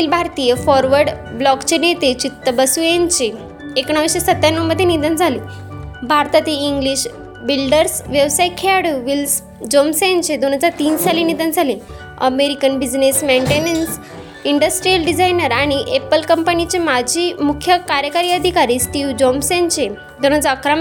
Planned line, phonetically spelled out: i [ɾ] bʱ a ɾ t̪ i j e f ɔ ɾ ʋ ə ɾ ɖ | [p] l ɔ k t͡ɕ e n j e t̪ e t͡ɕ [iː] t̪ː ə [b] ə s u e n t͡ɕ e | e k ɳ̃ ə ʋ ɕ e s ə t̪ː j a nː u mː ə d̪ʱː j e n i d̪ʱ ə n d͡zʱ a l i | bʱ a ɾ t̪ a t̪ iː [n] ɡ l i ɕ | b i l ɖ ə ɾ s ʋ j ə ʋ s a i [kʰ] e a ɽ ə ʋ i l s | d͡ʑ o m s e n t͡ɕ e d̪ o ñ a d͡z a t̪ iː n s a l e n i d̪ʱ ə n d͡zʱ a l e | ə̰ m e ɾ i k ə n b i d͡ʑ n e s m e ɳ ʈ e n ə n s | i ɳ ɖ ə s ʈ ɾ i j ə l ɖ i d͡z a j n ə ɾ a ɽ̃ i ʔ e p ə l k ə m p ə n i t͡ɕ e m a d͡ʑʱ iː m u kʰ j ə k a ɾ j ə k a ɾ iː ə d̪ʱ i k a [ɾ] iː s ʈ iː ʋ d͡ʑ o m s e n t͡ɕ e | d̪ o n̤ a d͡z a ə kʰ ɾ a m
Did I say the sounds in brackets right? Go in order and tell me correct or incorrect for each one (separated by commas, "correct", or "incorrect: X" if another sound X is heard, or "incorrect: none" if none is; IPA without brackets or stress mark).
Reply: incorrect: l, incorrect: b, incorrect: i, correct, incorrect: ŋ, correct, correct